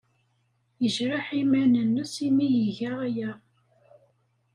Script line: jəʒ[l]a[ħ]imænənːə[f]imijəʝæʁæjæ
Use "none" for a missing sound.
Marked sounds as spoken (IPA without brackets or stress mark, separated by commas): ɾ, ħ, s